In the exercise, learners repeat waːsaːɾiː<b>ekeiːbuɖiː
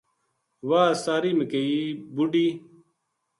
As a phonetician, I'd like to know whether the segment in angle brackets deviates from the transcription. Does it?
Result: yes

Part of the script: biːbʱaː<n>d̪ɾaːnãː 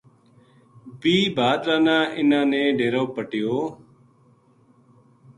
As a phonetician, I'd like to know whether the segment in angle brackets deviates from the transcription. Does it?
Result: yes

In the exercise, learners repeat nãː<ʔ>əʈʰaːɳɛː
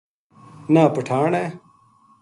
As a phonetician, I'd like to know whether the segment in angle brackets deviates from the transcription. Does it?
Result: yes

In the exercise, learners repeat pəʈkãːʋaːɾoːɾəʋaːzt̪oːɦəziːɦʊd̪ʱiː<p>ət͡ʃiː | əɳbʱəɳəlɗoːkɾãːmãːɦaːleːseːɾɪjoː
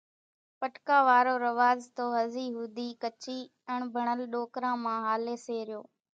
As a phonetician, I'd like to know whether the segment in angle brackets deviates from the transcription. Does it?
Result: yes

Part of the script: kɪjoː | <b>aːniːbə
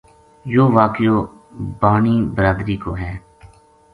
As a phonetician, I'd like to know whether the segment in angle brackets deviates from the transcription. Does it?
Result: no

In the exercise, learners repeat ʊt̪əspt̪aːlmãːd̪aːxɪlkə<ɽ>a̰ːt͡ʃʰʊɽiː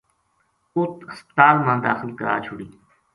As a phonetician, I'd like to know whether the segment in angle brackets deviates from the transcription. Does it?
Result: yes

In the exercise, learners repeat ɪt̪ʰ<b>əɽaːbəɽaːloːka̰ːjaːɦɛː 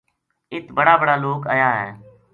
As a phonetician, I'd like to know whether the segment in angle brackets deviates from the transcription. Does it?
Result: no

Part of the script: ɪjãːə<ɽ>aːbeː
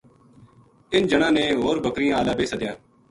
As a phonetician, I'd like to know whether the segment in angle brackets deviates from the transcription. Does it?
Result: yes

